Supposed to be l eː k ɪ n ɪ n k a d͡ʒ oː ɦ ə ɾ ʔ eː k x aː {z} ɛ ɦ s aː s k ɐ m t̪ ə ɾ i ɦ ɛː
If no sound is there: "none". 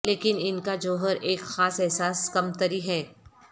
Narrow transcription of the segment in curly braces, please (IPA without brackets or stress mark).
s